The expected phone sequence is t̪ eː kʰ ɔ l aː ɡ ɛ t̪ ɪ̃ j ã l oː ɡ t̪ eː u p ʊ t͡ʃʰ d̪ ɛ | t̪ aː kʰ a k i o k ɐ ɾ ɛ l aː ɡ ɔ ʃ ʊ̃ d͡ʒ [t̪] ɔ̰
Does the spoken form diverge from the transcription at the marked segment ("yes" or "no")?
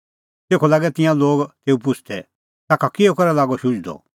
yes